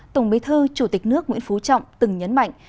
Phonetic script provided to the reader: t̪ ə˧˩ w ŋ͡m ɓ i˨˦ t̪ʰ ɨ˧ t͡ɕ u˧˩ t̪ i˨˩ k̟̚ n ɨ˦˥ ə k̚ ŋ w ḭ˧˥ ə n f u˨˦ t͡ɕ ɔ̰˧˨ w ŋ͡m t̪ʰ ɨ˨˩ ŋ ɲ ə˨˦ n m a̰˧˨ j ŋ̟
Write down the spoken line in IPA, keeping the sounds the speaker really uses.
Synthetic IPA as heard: t̪ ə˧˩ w ŋ͡m ɓ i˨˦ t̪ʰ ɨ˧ t͡ɕ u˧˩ t̪ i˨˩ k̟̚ n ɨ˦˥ ə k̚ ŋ w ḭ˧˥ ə n f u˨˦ t͡ɕ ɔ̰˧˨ w ŋ͡m t̪ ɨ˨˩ ŋ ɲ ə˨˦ n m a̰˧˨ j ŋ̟